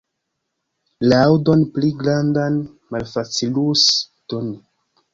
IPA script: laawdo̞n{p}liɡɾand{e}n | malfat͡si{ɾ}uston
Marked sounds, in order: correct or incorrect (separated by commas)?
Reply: correct, incorrect, incorrect